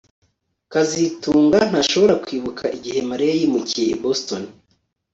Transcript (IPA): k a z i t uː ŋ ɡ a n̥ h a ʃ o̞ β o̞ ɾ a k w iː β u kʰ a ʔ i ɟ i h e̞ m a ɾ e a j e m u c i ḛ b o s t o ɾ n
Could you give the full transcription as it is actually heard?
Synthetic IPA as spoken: k a z i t uː ŋ ɡ a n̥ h a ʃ o̞ β o̞ ɾ a k w iː β u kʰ a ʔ i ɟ i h e̞ m a ɾ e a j i m u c i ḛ b o s t o n